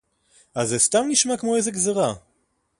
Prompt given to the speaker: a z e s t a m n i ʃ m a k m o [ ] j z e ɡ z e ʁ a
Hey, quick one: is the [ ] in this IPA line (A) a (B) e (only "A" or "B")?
B